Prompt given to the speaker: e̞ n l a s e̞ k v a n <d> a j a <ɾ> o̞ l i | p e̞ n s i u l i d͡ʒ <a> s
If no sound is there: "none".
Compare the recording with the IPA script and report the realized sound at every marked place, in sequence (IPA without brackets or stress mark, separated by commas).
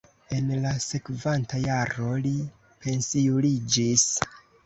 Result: t, ɾ, i